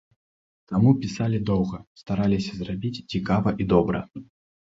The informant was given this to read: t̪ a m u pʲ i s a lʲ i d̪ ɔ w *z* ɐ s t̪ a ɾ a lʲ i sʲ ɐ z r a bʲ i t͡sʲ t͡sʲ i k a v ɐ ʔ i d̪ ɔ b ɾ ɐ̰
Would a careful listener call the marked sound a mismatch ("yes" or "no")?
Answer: yes